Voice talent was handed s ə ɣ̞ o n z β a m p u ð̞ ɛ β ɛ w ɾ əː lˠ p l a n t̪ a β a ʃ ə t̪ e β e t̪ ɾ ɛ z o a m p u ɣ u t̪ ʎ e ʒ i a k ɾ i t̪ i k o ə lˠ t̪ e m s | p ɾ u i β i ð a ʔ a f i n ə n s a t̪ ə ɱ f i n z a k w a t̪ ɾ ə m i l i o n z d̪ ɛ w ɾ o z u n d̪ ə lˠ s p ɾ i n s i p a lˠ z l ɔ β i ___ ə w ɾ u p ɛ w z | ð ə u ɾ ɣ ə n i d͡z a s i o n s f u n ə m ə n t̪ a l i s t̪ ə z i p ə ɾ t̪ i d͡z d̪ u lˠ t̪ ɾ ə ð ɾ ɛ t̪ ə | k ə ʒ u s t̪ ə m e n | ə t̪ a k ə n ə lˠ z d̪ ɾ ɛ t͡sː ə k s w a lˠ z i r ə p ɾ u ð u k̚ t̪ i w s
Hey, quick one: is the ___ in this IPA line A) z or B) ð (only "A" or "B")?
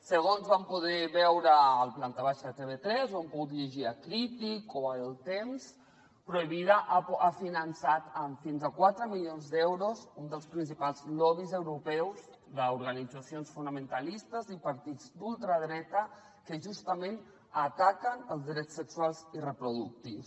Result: A